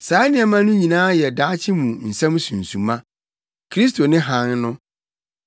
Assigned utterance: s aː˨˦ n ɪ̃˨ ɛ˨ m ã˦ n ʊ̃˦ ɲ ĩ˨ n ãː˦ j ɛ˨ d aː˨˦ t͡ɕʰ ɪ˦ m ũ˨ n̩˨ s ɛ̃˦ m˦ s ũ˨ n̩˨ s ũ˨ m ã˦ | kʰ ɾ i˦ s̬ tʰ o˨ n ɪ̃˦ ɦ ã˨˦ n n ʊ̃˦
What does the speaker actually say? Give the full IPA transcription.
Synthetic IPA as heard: s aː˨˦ n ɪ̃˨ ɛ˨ m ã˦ n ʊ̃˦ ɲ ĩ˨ n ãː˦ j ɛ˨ d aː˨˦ t͡ɕʰ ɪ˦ m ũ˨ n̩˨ s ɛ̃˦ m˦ s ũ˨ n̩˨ s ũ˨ m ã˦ | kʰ ɾ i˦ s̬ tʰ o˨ n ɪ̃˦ ɦ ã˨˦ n n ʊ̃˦